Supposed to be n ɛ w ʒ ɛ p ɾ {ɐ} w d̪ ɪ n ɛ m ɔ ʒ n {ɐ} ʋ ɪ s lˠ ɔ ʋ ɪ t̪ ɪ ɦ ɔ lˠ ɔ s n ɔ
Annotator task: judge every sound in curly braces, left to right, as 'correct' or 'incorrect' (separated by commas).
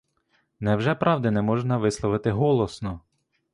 incorrect, correct